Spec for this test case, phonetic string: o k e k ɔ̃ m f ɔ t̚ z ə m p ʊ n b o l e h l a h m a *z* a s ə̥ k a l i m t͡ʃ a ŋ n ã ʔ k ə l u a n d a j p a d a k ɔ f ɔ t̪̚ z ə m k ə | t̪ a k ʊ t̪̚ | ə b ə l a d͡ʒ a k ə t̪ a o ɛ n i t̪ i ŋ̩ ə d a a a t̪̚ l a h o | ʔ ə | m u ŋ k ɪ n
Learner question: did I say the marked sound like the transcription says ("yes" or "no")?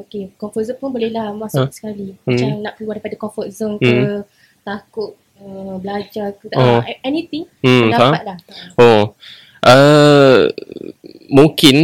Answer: no